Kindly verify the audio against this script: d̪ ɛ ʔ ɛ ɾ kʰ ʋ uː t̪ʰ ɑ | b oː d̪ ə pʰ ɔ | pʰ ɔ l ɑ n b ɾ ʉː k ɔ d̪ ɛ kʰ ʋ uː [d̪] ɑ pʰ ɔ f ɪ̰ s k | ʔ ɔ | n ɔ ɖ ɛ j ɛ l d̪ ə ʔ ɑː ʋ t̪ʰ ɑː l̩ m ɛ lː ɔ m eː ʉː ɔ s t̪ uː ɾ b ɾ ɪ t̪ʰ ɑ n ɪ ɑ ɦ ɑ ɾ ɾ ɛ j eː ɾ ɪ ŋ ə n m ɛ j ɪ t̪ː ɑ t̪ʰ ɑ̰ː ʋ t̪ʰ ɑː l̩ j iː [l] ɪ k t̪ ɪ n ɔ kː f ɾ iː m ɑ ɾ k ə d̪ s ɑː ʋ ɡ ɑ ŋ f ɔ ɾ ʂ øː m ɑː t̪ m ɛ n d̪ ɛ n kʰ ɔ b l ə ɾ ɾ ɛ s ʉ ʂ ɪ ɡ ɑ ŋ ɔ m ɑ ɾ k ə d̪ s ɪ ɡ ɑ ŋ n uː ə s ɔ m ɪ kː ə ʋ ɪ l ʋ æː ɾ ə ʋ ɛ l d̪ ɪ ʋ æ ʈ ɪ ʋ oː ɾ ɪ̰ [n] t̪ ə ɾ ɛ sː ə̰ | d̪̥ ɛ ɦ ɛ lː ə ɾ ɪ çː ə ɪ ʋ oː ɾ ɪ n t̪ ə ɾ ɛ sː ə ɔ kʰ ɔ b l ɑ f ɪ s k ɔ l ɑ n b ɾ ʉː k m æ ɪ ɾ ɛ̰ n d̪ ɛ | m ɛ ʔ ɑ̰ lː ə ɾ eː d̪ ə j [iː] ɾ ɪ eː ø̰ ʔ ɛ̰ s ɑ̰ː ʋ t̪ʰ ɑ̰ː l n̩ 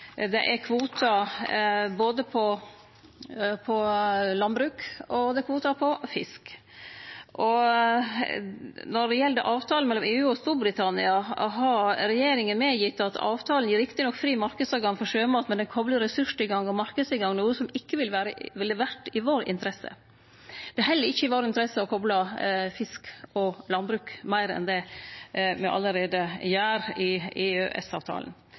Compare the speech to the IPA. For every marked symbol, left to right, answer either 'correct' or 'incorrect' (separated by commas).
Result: incorrect, incorrect, correct, incorrect